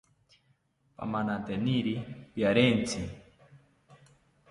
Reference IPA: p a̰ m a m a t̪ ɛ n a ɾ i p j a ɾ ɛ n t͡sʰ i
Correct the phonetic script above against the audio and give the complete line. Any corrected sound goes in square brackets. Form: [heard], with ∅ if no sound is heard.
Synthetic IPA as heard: p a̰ m a [n] a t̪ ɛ n [i] ɾ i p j a ɾ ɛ n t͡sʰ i